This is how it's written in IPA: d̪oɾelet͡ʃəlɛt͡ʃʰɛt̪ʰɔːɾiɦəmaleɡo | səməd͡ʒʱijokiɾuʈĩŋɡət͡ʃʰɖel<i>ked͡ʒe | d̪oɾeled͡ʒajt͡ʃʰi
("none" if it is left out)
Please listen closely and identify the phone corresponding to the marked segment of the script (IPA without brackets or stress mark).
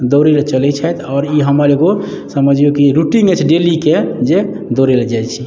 i